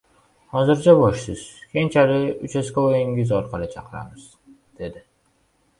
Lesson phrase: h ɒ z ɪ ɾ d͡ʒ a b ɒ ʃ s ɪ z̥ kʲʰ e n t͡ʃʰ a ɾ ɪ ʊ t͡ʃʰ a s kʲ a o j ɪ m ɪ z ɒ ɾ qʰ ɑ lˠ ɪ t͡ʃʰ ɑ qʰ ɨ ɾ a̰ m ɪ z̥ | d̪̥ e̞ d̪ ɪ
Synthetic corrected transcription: h ɒ z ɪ ɾ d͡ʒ a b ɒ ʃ s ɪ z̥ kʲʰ e n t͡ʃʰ a ɾ ɪ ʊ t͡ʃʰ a s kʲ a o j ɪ ŋ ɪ z ɒ ɾ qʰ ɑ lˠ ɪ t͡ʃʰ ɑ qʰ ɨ ɾ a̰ m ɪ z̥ | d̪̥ e̞ d̪ ɪ